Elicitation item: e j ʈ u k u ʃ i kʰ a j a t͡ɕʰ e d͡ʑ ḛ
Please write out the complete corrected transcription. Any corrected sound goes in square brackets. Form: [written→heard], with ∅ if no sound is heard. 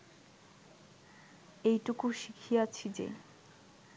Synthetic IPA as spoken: e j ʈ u k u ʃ i kʰ [a→i] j a t͡ɕʰ [e→i] d͡ʑ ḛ